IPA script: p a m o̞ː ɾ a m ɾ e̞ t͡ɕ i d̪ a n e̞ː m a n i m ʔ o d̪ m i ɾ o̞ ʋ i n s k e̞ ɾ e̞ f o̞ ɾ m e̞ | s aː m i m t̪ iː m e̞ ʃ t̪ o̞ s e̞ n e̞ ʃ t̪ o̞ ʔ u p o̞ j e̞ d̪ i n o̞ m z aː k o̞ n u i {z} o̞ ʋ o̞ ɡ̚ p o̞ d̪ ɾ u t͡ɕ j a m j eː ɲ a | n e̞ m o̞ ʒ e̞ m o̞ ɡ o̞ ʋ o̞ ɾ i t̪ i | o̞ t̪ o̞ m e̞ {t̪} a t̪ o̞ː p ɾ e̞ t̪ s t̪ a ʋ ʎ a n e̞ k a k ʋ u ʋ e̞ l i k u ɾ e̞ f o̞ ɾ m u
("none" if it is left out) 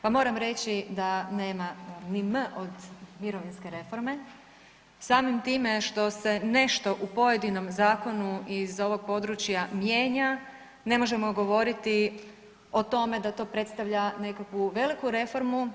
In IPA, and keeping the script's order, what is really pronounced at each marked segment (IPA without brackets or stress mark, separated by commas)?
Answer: z, d̪